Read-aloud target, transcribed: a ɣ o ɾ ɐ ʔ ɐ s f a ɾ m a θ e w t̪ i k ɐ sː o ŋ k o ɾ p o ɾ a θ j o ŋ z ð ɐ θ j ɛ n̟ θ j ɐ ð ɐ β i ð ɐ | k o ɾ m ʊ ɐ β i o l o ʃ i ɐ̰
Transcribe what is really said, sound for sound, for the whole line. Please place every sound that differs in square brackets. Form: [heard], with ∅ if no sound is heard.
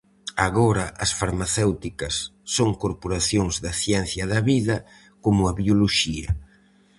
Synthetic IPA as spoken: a ɣ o ɾ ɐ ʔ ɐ s f a ɾ m a θ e w t̪ i k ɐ sː o ŋ k o ɾ p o ɾ a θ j o ŋ z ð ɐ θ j ɛ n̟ θ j ɐ ð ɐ β i ð ɐ | k o [∅] m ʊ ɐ β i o l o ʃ i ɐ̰